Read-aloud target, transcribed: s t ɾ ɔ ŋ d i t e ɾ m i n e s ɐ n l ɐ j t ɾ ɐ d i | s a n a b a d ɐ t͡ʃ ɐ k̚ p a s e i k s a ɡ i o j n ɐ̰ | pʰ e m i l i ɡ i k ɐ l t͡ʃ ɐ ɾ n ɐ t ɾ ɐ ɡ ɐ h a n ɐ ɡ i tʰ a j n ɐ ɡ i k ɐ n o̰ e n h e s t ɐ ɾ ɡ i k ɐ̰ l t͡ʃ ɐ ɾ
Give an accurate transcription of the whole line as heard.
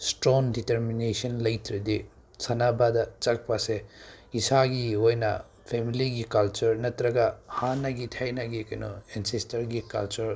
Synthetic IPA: s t ɾ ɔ ŋ d i t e ɾ m i n e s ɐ n l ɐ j t ɾ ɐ d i | s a n a b a d ɐ t͡ʃ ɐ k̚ p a s e i s a ɡ i o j n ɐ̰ | pʰ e m i l i ɡ i k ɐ l t͡ʃ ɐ ɾ n ɐ t ɾ ɐ ɡ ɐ h a n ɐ ɡ i tʰ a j n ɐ ɡ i k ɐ n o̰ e n s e s t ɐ ɾ ɡ i k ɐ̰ l t͡ʃ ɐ ɾ

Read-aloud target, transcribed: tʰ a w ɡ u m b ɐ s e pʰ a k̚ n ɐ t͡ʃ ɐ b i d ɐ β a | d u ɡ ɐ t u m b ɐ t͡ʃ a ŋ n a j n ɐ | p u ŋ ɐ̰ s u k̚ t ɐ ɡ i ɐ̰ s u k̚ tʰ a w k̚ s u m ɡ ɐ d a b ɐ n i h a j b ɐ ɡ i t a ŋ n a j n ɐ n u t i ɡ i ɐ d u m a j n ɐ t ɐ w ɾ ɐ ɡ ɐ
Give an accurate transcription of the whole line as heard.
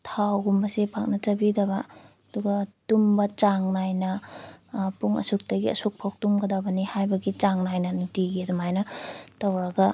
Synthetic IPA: tʰ a w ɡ u m b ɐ s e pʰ a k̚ n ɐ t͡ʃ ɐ b i d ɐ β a | d u ɡ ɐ t u m b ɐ t͡ʃ a ŋ n a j n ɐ | p u ŋ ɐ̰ s u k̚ t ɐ ɡ i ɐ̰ s u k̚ pʰ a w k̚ t u m ɡ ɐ d a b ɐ n i h a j b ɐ ɡ i t͡ʃ a ŋ n a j n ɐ n u t i ɡ i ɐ d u m a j n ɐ t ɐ w ɾ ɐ ɡ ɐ

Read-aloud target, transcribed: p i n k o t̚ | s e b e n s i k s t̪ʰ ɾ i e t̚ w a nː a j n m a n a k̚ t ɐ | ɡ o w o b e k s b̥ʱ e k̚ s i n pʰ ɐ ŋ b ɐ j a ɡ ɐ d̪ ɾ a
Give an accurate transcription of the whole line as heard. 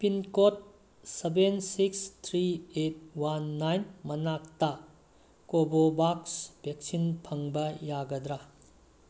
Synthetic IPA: p i n k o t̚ | s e b e n s i k s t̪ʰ ɾ i e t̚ w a nː a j n m ɐ n a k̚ t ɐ | k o b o b a k s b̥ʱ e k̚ s i n pʰ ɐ ŋ b ɐ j a ɡ ɐ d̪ ɾ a

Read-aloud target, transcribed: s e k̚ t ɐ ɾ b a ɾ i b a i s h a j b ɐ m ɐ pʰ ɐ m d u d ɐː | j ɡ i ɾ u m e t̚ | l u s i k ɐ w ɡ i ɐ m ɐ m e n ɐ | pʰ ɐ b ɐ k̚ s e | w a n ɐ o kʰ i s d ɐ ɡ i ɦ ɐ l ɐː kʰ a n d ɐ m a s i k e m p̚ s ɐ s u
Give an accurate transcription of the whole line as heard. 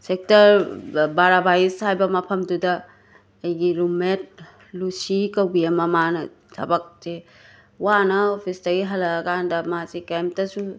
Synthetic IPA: s e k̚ t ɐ ɾ b a ɾ a b a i s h a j b ɐ m ɐ pʰ ɐ m d u d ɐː | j ɡ i ɾ u m e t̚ | l u s i k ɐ w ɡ i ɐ m ɐ m a n ɐ | tʰ ɐ b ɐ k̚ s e | w a n ɐ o pʰ i s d ɐ ɡ i ɦ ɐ l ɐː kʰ a n d ɐ m a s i k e m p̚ t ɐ s u

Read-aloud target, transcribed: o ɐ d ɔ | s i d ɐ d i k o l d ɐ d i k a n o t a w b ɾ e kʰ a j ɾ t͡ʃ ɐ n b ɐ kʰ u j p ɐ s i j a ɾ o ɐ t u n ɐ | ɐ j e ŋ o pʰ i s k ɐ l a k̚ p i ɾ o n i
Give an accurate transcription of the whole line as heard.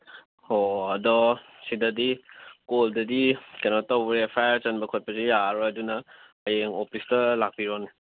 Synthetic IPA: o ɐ d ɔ | s i d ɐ d i k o l d ɐ d i k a n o t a w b ɾ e pʰ a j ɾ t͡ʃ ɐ n b ɐ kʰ o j p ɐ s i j a ɾ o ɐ d u n ɐ | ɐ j e ŋ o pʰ i s t ɐ l a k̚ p i ɾ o n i

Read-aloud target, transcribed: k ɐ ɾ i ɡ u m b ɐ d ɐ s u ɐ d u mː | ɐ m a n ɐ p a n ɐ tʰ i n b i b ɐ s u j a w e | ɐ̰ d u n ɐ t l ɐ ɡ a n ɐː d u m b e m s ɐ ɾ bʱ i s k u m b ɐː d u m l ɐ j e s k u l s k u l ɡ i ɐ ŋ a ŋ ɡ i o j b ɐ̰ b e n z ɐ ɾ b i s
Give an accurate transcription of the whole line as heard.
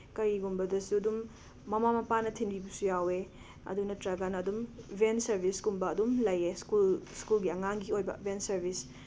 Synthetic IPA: k ɐ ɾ i ɡ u m b ɐ d ɐ s u ɐ d u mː | ɐ m a m ɐ p a n ɐ tʰ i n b i b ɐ s u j a w e | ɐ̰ d u n ɐ t ɾ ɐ ɡ a n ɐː d u m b e n s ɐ ɾ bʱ i s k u m b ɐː d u m l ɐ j e s k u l s k u l ɡ i ɐ ŋ a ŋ ɡ i o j b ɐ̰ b e n s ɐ ɾ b i s

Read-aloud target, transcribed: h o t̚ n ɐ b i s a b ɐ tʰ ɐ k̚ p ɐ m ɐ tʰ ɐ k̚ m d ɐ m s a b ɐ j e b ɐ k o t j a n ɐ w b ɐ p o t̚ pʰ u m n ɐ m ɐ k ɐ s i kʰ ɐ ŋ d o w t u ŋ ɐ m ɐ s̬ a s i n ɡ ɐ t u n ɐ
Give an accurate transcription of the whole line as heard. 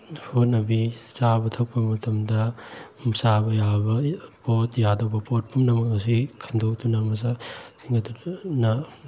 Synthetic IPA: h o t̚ n ɐ b i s a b ɐ tʰ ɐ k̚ p ɐ m ɐ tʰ ɐ m d ɐ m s a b ɐ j a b ɐ p o t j a d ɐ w b ɐ p o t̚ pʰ u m n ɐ m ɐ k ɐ s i kʰ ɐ n d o w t u n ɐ m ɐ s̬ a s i ŋ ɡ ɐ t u n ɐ

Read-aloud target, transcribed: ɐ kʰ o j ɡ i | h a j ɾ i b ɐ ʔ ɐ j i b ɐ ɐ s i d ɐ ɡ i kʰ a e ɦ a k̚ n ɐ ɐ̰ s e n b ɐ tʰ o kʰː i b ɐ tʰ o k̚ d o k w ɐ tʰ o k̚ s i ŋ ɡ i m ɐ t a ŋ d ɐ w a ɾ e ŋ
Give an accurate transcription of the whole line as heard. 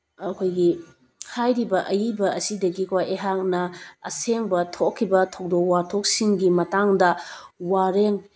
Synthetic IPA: ɐ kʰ o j ɡ i | h a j ɾ i b ɐ ʔ ɐ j i b ɐ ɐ s i d ɐ ɡ i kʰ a e ɦ a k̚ n ɐ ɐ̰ s e ŋ b ɐ tʰ o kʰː i b ɐ tʰ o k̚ d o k w a tʰ o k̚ s i ŋ ɡ i m ɐ t a ŋ d ɐ w a ɾ e ŋ

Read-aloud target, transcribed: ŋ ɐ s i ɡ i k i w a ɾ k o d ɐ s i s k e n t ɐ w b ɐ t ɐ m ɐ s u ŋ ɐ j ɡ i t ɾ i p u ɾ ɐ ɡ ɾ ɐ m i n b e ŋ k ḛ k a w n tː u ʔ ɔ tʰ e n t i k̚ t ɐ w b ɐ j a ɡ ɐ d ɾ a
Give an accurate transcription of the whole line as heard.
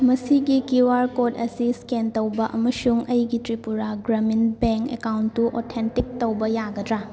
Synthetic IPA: m ɐ s i ɡ i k i w a ɾ k o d ɐ s i s k e n t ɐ w b ɐ ʔ ɐ m ɐ s u ŋ ɐ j ɡ i t ɾ i p u ɾ a ɡ ɾ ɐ m i n b e ŋ k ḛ k a w n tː u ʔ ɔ tʰ e n t i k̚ t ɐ w b ɐ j a ɡ ɐ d ɾ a

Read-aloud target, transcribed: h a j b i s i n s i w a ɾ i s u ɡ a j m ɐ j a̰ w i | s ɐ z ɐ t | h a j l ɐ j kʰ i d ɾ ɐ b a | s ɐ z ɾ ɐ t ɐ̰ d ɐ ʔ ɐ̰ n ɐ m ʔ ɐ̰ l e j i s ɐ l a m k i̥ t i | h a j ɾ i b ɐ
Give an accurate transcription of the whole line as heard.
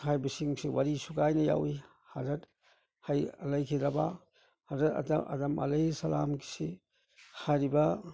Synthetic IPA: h a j b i s i ŋ s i w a ɾ i s u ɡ a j n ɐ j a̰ w i | h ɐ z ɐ t | h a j l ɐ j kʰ i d ɾ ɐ b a | h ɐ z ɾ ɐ t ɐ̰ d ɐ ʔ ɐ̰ d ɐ m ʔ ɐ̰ l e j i s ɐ l a m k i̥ s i | h a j ɾ i b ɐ

